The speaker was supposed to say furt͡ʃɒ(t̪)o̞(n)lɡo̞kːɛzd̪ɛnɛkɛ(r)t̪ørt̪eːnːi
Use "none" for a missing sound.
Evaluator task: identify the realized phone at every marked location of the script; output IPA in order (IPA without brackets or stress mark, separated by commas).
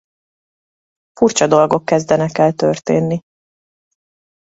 d̪, none, l